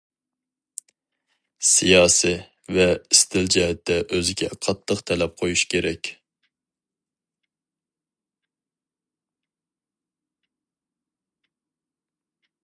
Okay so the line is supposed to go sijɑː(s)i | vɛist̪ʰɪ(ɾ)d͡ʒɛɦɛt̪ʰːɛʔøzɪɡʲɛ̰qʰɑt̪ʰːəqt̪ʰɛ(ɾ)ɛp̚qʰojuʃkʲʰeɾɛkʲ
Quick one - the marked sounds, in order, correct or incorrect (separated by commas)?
correct, incorrect, incorrect